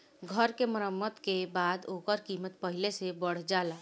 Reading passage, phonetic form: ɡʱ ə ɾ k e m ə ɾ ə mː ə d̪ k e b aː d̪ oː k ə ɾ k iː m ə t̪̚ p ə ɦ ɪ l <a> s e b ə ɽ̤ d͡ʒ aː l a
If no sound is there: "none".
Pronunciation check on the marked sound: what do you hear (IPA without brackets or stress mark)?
e